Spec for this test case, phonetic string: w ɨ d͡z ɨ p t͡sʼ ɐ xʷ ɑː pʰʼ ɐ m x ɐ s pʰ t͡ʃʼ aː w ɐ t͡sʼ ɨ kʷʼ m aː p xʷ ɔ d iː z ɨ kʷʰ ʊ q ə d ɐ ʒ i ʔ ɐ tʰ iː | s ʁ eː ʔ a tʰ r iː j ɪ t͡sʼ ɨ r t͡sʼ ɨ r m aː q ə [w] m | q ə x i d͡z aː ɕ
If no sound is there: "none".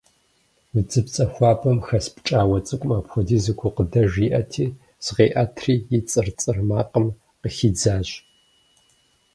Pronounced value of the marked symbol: none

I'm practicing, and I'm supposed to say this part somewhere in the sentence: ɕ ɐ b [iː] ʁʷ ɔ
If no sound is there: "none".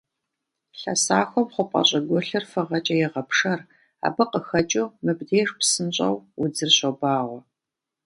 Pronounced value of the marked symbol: aː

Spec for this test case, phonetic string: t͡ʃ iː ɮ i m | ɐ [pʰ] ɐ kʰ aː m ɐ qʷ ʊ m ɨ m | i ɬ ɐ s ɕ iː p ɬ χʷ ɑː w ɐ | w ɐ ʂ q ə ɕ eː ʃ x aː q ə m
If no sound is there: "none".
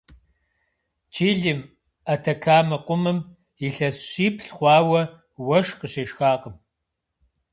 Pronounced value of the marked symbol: tʰ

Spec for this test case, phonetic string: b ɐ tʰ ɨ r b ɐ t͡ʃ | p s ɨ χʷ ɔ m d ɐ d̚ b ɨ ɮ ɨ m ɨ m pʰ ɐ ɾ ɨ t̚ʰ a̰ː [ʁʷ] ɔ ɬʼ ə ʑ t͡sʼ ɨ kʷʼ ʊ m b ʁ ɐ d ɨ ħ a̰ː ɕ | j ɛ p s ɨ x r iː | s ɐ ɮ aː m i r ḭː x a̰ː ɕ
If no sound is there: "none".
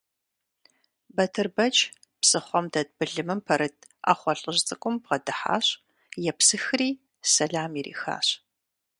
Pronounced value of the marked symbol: χʷ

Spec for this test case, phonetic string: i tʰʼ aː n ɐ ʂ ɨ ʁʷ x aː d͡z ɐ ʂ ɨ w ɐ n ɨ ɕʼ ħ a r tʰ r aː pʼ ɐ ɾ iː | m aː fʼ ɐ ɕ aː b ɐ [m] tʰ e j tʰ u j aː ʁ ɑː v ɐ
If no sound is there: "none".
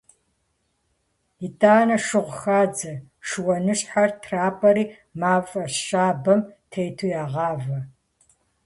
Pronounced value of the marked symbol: m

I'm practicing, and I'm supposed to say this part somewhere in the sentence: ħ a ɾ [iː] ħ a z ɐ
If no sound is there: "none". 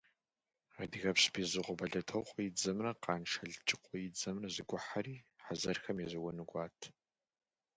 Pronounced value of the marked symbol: iː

